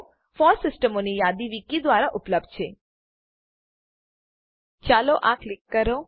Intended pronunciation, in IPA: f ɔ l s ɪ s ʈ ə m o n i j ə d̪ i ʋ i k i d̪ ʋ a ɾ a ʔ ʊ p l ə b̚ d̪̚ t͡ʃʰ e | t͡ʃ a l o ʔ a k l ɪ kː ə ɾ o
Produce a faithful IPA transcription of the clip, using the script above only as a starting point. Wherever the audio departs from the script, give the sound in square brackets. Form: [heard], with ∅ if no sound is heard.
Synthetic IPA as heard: f ɔ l s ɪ s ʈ ə m o n i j [a] d̪ i ʋ i k i d̪ ʋ a ɾ a ʔ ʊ p l ə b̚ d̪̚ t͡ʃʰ e | t͡ʃ a l o ʔ a k l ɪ kː ə ɾ o